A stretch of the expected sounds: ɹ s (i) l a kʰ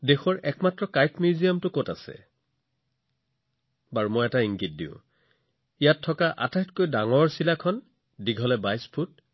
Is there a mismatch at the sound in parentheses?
no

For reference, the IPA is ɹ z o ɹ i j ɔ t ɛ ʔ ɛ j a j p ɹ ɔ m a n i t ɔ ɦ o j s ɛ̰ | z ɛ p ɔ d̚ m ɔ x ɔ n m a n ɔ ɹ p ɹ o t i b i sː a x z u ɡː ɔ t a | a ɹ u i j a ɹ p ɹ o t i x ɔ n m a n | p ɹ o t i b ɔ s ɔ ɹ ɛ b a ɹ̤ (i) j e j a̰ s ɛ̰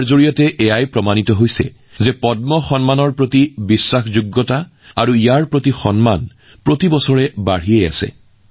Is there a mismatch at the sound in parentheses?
no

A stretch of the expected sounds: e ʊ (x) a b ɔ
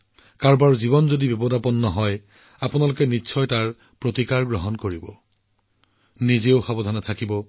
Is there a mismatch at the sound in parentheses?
no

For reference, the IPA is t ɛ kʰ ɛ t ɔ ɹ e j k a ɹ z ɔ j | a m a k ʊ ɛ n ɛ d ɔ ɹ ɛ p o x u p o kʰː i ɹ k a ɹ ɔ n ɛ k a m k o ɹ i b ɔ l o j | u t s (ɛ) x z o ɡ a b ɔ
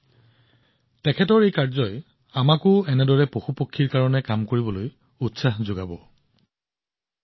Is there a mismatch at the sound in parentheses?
yes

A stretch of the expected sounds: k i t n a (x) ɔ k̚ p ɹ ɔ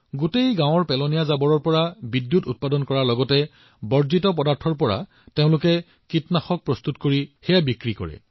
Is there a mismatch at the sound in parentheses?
no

